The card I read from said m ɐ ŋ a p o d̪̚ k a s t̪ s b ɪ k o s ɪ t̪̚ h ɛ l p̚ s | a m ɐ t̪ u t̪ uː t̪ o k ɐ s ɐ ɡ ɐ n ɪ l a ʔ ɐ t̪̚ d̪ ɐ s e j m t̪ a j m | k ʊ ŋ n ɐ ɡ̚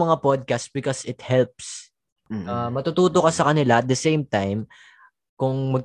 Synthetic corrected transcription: m ɐ ŋ a p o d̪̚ k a s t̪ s b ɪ k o s ɪ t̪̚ h ɛ l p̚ s | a m ɐ t̪ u t̪ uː t̪ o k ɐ s ɐ k ɐ n ɪ l a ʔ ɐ t̪̚ d̪ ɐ s e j m t̪ a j m | k ʊ ŋ m ɐ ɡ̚